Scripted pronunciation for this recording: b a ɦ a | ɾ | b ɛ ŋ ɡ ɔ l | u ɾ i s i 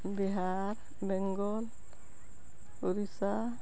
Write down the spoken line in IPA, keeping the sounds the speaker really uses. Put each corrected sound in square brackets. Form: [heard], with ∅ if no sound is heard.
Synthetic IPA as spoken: b [i] ɦ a | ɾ | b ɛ ŋ ɡ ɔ l | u ɾ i s [a]